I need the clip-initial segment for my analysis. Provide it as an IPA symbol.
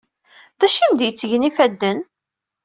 ð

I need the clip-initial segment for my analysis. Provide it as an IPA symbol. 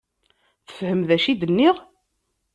θ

